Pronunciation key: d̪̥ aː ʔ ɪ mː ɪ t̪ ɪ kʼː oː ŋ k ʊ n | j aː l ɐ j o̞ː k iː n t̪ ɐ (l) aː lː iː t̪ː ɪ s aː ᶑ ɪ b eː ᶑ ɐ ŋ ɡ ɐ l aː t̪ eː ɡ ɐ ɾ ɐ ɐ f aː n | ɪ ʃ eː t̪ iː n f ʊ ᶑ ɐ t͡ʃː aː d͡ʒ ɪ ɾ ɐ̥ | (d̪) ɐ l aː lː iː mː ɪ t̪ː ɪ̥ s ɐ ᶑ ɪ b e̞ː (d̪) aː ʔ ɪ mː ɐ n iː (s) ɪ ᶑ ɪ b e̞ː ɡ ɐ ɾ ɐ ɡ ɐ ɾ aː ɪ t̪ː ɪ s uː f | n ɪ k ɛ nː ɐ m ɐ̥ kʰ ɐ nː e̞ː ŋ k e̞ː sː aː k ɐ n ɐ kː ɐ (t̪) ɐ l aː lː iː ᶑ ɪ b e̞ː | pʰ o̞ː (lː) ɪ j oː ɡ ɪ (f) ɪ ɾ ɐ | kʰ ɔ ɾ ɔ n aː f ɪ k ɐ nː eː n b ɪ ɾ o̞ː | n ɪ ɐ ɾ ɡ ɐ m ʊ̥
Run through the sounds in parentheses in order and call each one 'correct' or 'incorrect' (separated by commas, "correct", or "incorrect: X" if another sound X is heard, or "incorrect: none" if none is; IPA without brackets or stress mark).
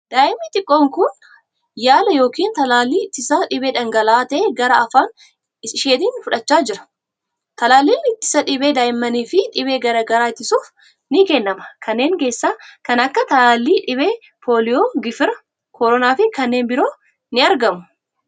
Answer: correct, incorrect: t̪, correct, incorrect: f, correct, incorrect: l, correct